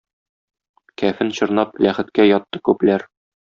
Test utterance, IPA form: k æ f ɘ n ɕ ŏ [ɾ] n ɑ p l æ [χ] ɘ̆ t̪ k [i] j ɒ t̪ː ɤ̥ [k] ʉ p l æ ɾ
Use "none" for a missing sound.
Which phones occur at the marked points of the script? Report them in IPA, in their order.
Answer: ɾ, χ, æ, k

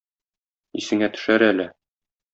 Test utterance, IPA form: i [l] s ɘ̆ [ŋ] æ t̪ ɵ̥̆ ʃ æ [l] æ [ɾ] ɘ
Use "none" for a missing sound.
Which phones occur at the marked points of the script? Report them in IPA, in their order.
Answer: none, ŋ, ɾ, l

